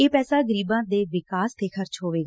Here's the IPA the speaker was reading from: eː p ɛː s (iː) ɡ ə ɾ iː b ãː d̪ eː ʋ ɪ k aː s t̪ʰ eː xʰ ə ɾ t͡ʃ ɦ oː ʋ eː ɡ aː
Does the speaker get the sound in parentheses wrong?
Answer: yes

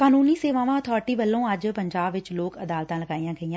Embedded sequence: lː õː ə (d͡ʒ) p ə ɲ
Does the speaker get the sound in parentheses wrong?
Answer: no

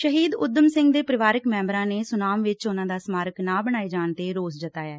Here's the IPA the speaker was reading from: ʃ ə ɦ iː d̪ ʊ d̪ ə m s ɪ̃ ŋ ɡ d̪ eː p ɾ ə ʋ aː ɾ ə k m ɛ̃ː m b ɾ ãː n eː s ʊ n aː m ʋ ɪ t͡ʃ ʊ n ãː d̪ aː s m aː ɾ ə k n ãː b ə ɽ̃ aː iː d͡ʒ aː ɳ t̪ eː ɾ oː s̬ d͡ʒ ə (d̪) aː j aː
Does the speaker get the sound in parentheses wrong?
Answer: yes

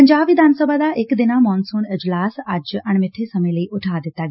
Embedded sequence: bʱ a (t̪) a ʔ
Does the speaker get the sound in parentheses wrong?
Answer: yes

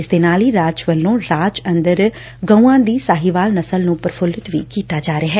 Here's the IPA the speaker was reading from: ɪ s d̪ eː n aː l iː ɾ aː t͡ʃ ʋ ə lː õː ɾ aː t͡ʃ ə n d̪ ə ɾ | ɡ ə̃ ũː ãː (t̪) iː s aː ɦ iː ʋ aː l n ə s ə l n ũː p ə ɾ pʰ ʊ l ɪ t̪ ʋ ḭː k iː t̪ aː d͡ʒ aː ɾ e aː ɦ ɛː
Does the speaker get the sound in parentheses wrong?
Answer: yes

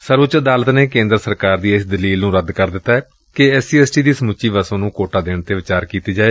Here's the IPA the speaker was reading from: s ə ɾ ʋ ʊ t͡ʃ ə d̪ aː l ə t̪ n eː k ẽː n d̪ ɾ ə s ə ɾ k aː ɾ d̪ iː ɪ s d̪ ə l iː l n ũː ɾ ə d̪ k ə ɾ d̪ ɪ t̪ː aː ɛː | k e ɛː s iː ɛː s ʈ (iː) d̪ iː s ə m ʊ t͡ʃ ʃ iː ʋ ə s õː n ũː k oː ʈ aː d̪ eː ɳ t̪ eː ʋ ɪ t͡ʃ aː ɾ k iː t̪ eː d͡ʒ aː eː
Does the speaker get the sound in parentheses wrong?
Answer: no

